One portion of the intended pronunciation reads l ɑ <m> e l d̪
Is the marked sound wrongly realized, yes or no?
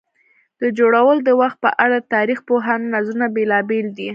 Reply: yes